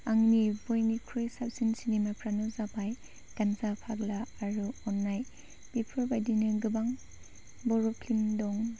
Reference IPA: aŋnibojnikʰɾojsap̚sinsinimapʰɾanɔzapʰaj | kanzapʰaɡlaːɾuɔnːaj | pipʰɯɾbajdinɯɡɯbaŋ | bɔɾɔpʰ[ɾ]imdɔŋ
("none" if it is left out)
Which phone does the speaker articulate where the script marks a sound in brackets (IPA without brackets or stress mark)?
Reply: l